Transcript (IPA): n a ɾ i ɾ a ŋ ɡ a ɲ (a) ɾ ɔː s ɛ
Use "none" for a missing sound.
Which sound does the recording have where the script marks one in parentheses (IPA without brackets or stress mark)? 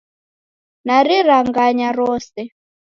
a